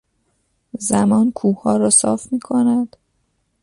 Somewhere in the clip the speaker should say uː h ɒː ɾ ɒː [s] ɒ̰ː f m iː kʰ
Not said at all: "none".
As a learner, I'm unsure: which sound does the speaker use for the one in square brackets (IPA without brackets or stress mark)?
s